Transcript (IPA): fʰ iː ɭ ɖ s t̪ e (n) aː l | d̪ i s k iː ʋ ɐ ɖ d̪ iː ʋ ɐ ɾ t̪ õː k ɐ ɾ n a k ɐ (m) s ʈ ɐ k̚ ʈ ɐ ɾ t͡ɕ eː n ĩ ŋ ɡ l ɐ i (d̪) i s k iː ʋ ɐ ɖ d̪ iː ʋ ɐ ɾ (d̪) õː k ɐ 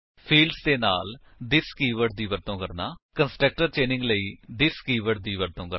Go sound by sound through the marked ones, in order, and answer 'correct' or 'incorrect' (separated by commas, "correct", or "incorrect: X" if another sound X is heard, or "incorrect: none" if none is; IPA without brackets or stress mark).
correct, incorrect: n, correct, incorrect: t̪